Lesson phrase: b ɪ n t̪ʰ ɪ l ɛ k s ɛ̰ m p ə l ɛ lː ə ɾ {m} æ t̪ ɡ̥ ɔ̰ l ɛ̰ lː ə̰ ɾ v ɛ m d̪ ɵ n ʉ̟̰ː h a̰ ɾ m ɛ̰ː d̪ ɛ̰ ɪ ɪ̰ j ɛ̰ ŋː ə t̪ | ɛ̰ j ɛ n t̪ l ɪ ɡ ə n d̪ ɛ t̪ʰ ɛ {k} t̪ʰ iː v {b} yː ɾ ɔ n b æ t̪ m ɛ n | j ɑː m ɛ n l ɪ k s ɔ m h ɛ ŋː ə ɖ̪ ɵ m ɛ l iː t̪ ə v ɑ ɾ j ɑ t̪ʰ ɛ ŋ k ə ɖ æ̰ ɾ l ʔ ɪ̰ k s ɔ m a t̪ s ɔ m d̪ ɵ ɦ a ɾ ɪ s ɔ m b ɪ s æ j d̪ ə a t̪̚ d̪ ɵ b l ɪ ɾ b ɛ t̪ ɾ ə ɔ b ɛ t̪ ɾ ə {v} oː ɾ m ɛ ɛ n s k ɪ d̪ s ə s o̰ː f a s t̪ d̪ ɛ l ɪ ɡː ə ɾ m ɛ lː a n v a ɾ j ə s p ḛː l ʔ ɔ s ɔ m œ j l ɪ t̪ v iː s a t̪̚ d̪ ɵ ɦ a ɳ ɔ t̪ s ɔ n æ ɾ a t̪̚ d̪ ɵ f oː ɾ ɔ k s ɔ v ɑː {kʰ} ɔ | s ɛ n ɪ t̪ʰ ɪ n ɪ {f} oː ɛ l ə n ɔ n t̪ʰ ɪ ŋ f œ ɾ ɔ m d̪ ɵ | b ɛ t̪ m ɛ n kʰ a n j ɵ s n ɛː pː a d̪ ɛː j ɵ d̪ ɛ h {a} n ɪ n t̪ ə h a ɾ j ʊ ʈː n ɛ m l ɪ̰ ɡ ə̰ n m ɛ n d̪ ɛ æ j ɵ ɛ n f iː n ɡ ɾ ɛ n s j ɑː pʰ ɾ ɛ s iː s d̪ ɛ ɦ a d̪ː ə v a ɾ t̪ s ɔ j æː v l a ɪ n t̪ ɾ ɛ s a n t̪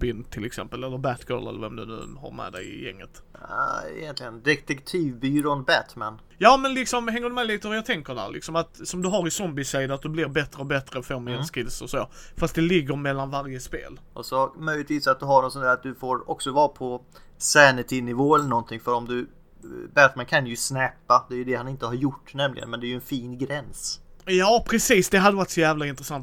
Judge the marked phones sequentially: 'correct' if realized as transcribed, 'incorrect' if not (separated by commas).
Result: incorrect, correct, correct, incorrect, incorrect, incorrect, correct